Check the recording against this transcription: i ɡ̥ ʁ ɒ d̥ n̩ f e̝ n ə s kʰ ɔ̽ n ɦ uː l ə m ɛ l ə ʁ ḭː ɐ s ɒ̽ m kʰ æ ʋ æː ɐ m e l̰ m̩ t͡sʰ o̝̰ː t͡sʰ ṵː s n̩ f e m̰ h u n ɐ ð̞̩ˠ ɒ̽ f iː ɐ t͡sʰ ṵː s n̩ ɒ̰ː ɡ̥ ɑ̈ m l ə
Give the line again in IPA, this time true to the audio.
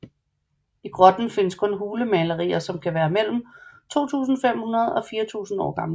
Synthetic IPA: i ɡ̥ ʁ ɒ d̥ n̩ f e̝ n ə s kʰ ɔ̽ n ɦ uː l ə m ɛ l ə ʁ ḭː ɐ s ɒ̽ m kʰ æ ʋ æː ɐ m e l̰ m̩ t͡sʰ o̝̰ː t͡sʰ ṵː s n̩ f e m̰ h u n ɐ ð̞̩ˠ ɒ̽ f iː ɐ t͡sʰ ṵː s n̩ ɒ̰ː ɡ̥ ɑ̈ m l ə

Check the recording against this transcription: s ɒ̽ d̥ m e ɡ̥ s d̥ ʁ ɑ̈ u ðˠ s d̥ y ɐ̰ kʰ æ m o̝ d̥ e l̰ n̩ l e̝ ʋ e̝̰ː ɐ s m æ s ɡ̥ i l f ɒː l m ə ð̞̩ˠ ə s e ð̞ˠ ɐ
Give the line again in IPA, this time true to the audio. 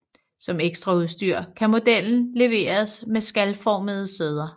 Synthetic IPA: s ɒ̽ m e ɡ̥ s d̥ ʁ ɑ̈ u ðˠ s d̥ y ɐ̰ kʰ æ m o̝ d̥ e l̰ n̩ l e̝ ʋ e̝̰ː ɐ s m e s ɡ̥ æ l f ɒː m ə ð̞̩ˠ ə s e ð̞ˠ ɐ

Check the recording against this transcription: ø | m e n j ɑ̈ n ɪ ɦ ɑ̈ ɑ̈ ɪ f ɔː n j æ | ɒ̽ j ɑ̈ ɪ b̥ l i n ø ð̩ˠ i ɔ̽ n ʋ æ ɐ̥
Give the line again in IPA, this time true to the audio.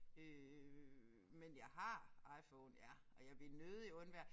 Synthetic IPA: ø | m e n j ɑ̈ ɪ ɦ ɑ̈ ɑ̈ ɪ f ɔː n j æ | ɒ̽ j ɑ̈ ɪ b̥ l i n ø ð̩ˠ i ɔ̽ n ʋ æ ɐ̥

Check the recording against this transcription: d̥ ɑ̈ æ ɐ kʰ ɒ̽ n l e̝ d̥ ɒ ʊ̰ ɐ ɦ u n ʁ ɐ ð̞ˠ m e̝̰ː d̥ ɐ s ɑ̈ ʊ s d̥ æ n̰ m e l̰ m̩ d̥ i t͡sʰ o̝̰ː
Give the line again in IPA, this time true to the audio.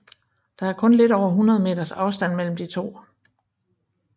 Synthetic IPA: d̥ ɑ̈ æ ɐ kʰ ɔ̽ n l e̝ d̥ ɒ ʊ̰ ɐ ɦ u n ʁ ɐ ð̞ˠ m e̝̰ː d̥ ɐ s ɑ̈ ʊ s d̥ æ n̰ m e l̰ m̩ d̥ i t͡sʰ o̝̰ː

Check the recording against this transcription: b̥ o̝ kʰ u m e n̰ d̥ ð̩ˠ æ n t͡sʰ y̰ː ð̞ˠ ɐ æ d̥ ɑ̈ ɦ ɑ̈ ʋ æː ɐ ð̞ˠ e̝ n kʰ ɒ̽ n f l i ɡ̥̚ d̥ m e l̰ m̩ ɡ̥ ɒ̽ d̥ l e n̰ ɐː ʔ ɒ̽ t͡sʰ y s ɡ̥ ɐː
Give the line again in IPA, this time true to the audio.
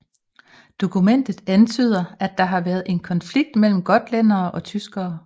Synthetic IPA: d̥ o̝ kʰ u m e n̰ d̥ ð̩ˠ æ n t͡sʰ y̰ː ð̞ˠ ɐ æ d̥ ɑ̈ ɦ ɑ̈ ʋ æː ɐ ð̞ˠ e̝ n kʰ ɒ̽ n f l i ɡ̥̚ d̥ m e l̰ m̩ ɡ̥ ɒ̽ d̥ l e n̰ ɐː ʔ ɒ̽ t͡sʰ y s ɡ̥ ɐː

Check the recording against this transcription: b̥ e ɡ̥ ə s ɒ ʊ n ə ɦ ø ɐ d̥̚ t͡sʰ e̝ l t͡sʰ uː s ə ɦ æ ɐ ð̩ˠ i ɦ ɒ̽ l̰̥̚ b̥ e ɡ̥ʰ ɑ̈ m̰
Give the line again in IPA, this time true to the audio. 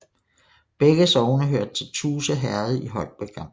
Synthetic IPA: b̥ e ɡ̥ ə s ɒ ʊ n ə ɦ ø ɐ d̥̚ t͡sʰ e̝ l t͡sʰ uː s ə ɦ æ ɐ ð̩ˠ i ɦ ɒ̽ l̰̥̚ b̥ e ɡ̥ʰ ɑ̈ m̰

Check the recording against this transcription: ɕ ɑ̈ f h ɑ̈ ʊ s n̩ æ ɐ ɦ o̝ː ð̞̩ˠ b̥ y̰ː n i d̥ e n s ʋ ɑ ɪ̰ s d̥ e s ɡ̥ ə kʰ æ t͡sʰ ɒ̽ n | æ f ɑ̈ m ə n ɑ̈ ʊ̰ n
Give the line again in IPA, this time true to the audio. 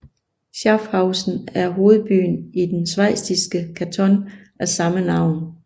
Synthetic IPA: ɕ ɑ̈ f h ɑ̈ ʊ s n̩ æ ɐ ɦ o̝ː ð̞̩ˠ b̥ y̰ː n i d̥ e n s ʋ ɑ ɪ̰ s d̥ i s ɡ̥ ə kʰ æ t͡sʰ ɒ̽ n | æ s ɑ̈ m ə n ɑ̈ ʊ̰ n

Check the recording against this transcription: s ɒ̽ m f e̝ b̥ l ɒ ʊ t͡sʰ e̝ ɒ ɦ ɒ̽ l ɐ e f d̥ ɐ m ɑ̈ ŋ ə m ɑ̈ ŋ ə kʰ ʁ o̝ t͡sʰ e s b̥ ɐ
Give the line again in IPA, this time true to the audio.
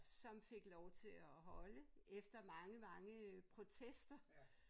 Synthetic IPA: s ɒ̽ m f e̝ ɡ̥ l ɒ ʊ t͡sʰ e̝ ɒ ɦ ɒ̽ l ə e f d̥ ɐ m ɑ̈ ŋ ə m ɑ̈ ŋ ə pʰ ʁ o̝ t͡sʰ e s d̥ ɐ

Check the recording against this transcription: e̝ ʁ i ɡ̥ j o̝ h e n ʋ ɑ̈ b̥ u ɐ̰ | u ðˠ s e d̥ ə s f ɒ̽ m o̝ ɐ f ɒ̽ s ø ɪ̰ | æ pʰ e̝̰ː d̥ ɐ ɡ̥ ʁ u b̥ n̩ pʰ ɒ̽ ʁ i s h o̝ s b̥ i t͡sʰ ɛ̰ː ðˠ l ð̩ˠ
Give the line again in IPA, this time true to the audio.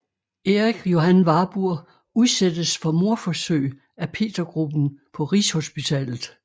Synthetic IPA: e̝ ʁ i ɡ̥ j o̝ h æ n ʋ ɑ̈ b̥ u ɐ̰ | u ðˠ s e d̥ ə s f ɒ̽ m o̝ ɐ f ɒ̽ s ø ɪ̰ | æ pʰ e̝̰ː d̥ ɐ ɡ̥ ʁ u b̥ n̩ pʰ ɒ̽ ʁ i s h o̝ s b̥ i t͡sʰ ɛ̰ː l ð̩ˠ

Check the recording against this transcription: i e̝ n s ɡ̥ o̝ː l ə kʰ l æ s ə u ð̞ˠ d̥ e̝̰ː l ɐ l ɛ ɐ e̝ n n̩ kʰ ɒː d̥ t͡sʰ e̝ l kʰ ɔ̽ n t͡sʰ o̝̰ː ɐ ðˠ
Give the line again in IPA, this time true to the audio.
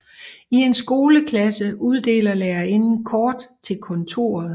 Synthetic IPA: i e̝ n s ɡ̥ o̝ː l ə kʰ l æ s ə u ð̞ˠ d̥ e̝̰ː l ɐ l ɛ ɐ e̝ n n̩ kʰ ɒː d̥ t͡sʰ e̝ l kʰ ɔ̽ n t͡sʰ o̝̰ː ɐ ðˠ

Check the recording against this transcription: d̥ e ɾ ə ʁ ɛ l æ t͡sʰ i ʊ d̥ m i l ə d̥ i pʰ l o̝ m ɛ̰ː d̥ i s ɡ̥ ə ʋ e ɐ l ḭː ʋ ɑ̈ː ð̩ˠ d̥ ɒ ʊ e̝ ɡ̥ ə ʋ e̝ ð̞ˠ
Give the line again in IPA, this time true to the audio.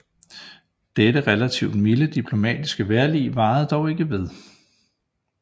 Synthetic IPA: d̥ e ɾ ə ʁ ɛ l æ t͡sʰ i ʊ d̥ m i l ə d̥ i pʰ l o̝ m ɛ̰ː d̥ i s ɡ̥ ə ʋ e ɐ l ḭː ʋ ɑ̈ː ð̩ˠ d̥ ɒ ʊ e̝ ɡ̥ ə ʋ e̝ ð̞ˠ

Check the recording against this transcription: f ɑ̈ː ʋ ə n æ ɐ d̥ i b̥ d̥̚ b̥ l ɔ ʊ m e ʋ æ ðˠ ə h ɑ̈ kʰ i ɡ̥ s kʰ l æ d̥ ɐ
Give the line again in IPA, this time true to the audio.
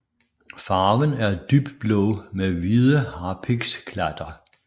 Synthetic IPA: f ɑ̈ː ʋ ə n æ ɐ d̥ y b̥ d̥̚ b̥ l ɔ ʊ m e ʋ i ðˠ ə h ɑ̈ pʰ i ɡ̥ s kʰ l æ d̥ ɐ

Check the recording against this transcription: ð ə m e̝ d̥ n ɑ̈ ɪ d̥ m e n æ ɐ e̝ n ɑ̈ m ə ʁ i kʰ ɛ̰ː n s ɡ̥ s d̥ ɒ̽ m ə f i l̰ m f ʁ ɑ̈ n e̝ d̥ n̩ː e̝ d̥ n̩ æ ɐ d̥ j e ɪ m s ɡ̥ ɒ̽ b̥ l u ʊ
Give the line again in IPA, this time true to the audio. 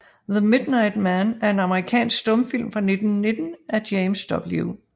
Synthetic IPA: ð ə m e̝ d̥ n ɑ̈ ɪ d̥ m æ n æ ɐ e̝ n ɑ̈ m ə ʁ i kʰ ɛ̰ː n s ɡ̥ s d̥ ɔ̽ m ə f i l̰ m f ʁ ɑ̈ n e̝ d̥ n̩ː e̝ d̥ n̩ æ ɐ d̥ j e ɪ m s d̥ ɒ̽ b̥ l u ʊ

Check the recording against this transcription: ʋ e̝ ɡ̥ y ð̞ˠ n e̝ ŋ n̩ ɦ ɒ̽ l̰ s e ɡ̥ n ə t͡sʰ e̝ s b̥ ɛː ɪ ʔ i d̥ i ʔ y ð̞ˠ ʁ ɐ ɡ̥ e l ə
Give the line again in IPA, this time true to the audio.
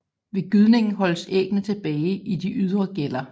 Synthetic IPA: ʋ e̝ ɡ̥ y ð̞ˠ n e̝ ŋ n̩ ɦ ɒ̽ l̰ s e ɡ̥ n ə t͡sʰ e̝ b̥ ɛː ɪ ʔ i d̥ i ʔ y ð̞ˠ ʁ ɐ ɡ̥ e l ɐ

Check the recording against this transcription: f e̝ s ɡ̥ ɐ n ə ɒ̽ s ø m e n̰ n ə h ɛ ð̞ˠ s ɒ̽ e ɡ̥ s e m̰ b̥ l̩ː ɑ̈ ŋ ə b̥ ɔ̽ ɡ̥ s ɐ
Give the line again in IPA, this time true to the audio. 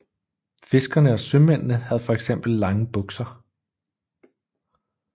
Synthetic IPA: f e̝ s ɡ̥ ɐ n ə ɒ̽ s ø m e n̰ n ə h æ ð̞ˠ f ɒ̽ e ɡ̥ s e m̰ b̥ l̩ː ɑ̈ ŋ ə b̥ ɔ̽ ɡ̥ s ɐ

